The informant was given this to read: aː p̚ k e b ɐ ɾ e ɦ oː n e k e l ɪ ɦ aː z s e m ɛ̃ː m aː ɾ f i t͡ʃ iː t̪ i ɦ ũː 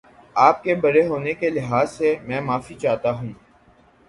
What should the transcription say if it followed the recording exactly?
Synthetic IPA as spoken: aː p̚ k e b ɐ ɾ e ɦ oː n e k e l ɪ ɦ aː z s e m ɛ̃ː m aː f i t͡ʃ aː t̪ a ɦ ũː